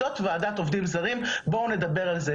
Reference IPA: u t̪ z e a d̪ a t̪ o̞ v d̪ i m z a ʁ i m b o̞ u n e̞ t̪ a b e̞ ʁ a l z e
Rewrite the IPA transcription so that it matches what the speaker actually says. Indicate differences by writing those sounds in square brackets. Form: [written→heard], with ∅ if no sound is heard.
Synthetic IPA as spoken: [u→o] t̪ [z→v] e a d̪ a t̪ o̞ v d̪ i m z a ʁ i m b o̞ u n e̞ [t̪→d̪] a b e̞ ʁ a l z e

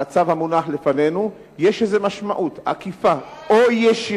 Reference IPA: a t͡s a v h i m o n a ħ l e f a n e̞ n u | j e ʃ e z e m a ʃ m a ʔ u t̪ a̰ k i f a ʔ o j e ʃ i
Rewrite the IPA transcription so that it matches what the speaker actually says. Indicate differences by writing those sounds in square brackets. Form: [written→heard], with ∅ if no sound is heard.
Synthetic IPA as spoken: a t͡s a v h [i→a] m [o→u] n a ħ l e f a n e̞ n u | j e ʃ e z e m a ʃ m a ʔ u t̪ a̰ k i f a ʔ o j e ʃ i

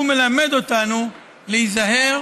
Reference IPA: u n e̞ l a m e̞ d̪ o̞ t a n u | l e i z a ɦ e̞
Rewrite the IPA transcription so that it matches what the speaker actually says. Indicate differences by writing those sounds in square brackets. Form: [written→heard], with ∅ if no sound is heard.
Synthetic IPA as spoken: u [n→m] e̞ l a m e̞ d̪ o̞ t a n u | l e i z a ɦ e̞

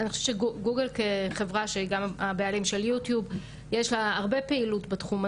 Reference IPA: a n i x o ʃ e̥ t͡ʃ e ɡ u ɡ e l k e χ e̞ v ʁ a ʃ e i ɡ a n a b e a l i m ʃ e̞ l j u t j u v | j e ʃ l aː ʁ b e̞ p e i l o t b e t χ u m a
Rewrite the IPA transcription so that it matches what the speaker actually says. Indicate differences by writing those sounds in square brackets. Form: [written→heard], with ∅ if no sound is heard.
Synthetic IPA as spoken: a n i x o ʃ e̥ t͡ʃ e ɡ u ɡ e l k e χ e̞ v ʁ a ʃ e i ɡ a [n→m] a b e a l i m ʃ e̞ l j u t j u [v→b] | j e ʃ l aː ʁ b e̞ p e i l [o→u] t b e t χ u m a

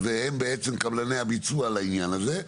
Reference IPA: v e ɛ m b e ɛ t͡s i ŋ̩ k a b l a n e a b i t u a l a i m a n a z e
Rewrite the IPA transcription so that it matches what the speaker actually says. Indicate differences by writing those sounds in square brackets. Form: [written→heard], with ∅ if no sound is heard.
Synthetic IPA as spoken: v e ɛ m b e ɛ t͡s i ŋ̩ k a b l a n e a b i [t→t͡s] u a l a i [m→ɲ] a n a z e

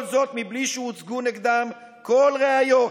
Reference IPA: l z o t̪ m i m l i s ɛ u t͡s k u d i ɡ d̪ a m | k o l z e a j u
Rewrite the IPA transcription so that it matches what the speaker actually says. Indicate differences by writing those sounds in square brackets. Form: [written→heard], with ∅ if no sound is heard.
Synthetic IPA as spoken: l z o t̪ m i [m→b] l i [s→ʃ] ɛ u t͡s [k→ɡ] u [d→n] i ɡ d̪ a m | k o l [z→ʁ] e a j [u→o]

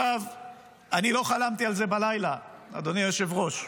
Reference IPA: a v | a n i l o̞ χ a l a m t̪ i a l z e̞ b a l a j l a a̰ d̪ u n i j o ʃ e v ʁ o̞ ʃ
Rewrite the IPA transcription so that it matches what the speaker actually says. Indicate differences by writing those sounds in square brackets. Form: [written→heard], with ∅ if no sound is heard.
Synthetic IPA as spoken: a v | a n i l o̞ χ a l a m t̪ i a l z e̞ b a l a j l a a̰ d̪ [u→o] n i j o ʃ e v ʁ o̞ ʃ

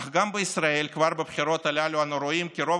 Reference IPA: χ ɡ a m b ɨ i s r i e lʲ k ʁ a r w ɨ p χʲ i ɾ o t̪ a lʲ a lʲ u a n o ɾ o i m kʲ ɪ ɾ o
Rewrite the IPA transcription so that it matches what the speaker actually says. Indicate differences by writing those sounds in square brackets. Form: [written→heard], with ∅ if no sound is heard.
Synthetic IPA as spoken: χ ɡ a m b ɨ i s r [i→a] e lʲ k [ʁ→v] a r [w→b] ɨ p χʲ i ɾ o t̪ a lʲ a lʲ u a n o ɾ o i m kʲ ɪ ɾ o

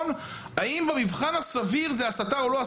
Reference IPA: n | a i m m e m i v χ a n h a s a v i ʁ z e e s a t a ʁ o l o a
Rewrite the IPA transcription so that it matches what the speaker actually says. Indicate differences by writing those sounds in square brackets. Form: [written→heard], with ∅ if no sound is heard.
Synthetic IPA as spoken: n | a i m [m→b] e m i v χ a n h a s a v i ʁ z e [e→a] s a t a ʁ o l o a

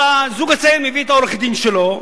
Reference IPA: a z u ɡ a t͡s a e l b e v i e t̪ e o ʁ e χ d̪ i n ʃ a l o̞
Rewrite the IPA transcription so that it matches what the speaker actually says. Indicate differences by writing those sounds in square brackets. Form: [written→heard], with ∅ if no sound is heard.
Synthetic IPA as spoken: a z u ɡ a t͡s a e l [b→m] e v i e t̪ [e→a] o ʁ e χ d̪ i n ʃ [a→e] l o̞

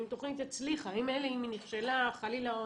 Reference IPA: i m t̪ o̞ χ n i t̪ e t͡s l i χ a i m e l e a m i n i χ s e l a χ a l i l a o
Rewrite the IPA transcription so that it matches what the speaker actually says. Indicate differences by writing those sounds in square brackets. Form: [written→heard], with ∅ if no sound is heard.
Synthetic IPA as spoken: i m t̪ o̞ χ n i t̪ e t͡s l i χ a i m e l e [a→i] m i n i χ [s→ʃ] e l a χ a l i l a o

